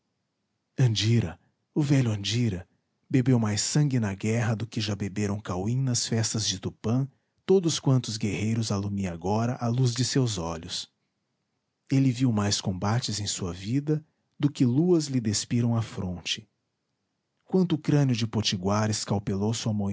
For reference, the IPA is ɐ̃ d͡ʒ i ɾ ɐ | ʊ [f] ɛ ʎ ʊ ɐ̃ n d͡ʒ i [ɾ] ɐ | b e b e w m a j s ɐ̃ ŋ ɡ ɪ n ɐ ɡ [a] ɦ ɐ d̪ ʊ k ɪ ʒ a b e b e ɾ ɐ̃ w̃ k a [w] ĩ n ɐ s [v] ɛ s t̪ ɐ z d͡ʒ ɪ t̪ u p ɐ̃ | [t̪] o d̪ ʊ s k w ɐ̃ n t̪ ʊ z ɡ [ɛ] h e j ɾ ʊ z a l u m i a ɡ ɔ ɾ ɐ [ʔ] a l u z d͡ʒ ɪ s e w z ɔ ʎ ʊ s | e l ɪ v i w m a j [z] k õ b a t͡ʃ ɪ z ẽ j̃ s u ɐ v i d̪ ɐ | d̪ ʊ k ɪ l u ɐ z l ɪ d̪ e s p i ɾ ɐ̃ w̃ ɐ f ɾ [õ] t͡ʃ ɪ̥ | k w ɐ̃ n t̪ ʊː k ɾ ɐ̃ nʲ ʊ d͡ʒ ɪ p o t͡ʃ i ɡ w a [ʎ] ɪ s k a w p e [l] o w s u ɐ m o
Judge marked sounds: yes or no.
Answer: no, yes, no, yes, no, yes, no, yes, no, yes, no, yes

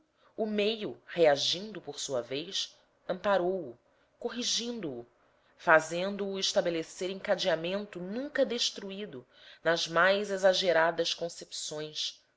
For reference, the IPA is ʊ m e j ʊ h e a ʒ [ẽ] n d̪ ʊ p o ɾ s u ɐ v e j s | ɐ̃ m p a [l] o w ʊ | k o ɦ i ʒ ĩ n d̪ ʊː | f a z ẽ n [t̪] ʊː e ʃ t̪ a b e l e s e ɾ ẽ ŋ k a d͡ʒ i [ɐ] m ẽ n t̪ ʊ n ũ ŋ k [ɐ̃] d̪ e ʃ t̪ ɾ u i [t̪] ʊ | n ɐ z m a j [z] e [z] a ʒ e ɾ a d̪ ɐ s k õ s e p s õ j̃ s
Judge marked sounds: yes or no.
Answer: no, no, no, no, no, no, yes, yes

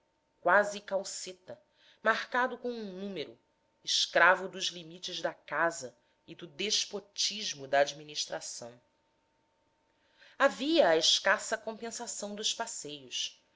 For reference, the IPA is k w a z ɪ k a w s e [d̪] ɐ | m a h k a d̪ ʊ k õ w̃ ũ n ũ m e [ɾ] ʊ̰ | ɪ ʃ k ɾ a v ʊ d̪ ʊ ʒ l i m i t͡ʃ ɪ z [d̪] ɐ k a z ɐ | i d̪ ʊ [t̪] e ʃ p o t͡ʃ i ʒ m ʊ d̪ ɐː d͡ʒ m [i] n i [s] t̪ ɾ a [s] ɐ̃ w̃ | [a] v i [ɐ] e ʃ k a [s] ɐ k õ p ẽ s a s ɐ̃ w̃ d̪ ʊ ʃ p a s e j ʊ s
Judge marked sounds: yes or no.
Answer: no, yes, yes, no, yes, no, yes, yes, no, yes

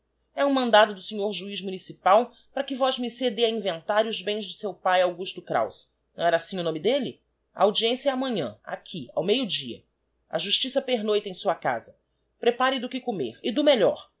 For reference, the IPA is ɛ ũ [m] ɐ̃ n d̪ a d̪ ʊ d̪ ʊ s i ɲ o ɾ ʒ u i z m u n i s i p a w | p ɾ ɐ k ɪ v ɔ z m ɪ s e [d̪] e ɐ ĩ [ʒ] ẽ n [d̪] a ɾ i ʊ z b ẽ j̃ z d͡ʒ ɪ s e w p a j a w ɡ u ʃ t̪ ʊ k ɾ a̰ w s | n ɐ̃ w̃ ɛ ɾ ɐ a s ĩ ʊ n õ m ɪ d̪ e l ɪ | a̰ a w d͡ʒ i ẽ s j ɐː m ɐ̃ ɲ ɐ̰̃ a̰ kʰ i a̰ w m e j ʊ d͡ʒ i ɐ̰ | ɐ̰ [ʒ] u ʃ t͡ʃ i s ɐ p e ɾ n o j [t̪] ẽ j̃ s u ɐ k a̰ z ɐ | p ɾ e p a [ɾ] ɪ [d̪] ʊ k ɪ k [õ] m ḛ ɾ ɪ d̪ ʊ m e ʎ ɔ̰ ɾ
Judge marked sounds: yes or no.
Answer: yes, yes, no, no, yes, yes, yes, yes, no

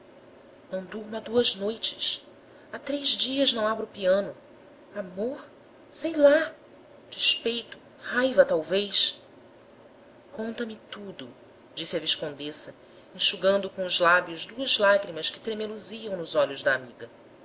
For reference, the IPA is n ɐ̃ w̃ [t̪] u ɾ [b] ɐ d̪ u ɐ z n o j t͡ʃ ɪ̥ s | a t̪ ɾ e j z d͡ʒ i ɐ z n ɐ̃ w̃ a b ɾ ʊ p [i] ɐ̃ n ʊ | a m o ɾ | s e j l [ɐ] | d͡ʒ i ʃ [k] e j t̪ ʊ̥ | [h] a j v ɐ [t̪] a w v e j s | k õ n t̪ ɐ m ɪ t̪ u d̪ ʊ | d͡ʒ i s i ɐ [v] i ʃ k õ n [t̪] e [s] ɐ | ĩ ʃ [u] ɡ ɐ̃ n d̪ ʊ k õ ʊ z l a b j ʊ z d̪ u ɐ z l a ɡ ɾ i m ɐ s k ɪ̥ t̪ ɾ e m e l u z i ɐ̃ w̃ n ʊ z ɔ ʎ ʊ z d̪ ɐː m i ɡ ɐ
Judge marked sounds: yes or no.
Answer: no, no, yes, no, no, yes, yes, yes, no, yes, yes

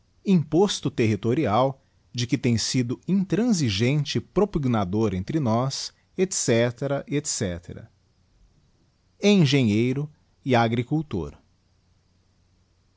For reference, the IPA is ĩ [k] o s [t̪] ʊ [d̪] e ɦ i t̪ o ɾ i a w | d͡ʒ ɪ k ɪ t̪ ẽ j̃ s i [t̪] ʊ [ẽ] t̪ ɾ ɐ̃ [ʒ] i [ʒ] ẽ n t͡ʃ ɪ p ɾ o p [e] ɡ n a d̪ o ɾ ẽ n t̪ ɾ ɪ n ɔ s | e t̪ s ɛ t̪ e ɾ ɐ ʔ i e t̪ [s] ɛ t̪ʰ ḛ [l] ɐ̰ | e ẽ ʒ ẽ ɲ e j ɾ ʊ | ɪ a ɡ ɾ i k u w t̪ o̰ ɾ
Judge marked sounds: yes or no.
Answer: no, yes, no, no, no, no, yes, no, yes, no

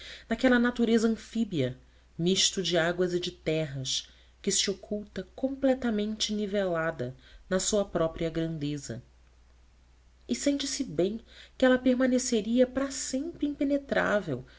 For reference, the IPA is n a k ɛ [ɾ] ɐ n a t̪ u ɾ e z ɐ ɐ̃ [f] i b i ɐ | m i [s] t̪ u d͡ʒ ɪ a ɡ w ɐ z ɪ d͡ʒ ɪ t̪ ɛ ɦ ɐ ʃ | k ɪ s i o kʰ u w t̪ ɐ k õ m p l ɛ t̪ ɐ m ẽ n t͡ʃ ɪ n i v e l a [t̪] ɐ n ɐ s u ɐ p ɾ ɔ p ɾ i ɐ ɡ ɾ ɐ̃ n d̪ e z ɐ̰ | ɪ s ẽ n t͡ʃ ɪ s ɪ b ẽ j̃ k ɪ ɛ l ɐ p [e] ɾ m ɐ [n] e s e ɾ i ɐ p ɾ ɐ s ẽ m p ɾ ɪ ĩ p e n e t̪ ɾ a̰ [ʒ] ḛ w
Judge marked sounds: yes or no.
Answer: no, yes, no, no, yes, yes, no

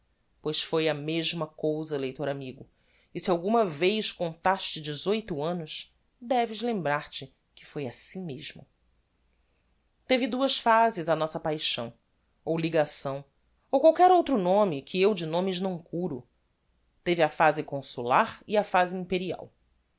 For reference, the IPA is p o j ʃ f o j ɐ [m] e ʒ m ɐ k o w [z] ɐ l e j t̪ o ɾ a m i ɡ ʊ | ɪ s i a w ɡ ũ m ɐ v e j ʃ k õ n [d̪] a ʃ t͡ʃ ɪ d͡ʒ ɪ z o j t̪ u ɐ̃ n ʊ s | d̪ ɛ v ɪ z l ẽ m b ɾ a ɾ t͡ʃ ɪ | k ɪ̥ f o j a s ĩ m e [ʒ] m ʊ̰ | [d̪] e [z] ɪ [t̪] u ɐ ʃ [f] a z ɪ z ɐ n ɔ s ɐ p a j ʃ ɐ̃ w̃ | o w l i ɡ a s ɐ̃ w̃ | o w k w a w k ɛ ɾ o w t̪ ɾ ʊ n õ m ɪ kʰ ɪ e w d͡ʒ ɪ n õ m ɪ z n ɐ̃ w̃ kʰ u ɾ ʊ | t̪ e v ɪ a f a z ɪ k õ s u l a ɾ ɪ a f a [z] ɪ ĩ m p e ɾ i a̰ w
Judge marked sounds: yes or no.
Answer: yes, yes, no, yes, no, no, no, yes, yes

